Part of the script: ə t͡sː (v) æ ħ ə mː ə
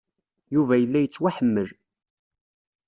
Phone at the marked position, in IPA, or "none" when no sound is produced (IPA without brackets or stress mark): w